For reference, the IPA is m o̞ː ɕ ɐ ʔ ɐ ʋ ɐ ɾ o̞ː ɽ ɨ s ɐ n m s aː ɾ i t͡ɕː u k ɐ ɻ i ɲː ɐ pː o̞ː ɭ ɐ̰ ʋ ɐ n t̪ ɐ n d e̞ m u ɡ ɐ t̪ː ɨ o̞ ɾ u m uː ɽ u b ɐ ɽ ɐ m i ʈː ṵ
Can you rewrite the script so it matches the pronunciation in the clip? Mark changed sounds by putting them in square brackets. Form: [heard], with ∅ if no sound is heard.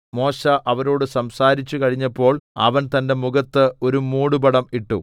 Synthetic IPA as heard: m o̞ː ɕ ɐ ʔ ɐ ʋ ɐ ɾ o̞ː ɽ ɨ s ɐ [∅] m s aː ɾ i t͡ɕː u k ɐ ɻ i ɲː ɐ pː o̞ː ɭ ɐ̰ ʋ ɐ n t̪ ɐ n d e̞ m u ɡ ɐ t̪ː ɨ o̞ ɾ u m uː ɽ u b ɐ ɽ ɐ m i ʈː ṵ